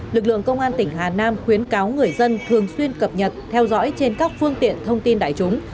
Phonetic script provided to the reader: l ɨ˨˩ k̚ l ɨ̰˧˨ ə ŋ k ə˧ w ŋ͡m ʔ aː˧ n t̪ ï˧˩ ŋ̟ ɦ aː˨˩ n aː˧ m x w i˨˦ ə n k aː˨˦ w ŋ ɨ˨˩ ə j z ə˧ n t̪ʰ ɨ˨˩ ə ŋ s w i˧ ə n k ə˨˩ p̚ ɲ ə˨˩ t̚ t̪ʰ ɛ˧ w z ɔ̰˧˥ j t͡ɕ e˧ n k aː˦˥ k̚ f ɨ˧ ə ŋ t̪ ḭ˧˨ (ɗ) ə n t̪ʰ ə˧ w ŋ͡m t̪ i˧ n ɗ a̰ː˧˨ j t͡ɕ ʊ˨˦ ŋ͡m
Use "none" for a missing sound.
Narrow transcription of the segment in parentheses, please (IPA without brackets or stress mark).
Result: none